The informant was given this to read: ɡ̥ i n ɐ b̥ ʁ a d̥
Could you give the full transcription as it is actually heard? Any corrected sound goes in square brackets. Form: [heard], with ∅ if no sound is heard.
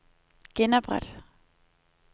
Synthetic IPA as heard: ɡ̥ [e] n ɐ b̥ ʁ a d̥